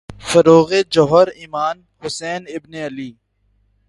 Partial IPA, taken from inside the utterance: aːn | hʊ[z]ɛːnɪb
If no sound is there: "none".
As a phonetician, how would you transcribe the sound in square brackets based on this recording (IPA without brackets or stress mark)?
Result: s